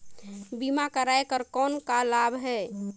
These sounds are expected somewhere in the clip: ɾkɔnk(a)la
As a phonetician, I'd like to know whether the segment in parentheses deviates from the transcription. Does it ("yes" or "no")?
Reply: no